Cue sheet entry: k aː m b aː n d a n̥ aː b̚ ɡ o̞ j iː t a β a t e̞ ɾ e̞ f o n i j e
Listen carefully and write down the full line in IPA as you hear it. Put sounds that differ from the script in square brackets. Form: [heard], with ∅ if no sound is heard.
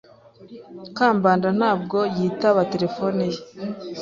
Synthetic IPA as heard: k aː m b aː n d a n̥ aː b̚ ɡ o̞ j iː t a β a t e̞ ɾ e̞ f o n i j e

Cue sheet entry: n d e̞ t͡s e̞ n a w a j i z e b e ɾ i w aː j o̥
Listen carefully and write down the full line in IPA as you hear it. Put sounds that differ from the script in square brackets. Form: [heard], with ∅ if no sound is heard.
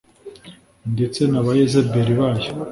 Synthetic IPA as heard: n d e̞ t͡s e̞ n a [β] a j [e] z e b e ɾ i [β] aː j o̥

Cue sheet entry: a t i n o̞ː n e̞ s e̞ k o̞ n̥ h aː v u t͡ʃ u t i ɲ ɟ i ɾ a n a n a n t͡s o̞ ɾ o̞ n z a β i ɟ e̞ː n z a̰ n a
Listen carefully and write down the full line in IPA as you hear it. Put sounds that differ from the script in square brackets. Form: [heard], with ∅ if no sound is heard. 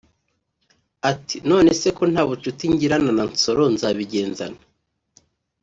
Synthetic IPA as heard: a t i n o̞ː n e̞ s e̞ k o̞ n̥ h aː [β] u t͡ʃ u t i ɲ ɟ i ɾ a n a n a n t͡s o̞ ɾ o̞ n z a β i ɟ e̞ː n z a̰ n a

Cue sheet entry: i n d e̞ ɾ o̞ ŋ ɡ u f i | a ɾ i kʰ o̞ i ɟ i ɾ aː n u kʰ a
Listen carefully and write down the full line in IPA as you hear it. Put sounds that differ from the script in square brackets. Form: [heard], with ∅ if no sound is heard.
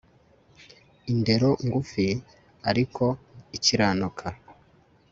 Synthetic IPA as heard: i n d e̞ ɾ o̞ ŋ ɡ u f i | a ɾ i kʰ o̞ i [c] i ɾ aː n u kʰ a

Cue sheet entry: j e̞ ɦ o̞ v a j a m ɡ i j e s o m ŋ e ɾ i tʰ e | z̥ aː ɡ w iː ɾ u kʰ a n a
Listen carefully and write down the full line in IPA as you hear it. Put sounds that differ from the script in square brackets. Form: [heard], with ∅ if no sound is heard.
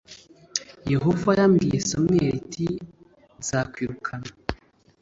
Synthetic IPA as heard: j e̞ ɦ o̞ v a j a m ɡ i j e s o m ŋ e ɾ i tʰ [i] | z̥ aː [k] w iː ɾ u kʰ a n a

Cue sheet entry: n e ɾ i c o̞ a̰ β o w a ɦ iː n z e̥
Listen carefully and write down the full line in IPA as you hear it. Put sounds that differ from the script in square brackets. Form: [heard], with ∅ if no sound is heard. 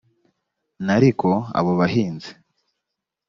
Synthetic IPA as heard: n [a] ɾ i [k] o̞ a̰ β o [β] a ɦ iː n z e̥

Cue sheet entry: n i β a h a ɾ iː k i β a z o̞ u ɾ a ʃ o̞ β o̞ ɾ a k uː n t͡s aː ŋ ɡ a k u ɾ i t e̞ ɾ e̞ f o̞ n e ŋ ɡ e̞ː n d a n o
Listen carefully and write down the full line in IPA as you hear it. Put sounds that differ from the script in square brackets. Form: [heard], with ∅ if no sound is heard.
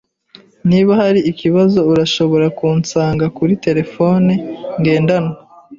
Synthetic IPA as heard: n i β a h a ɾ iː k i β a z o̞ u ɾ a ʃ o̞ β o̞ ɾ a k uː n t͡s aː ŋ ɡ a k u ɾ i t e̞ ɾ e̞ f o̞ n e ŋ ɡ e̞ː n d a n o

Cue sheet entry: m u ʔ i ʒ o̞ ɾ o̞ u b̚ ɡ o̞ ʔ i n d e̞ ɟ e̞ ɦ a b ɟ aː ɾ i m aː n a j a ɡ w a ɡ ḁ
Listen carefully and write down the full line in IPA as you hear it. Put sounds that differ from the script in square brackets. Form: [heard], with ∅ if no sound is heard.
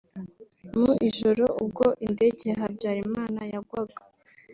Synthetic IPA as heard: m u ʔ i ʒ o̞ ɾ o̞ u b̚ ɡ o̞ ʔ i n d e̞ ɟ e̞ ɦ a b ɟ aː ɾ i m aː n a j a ɡ w a ɡ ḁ

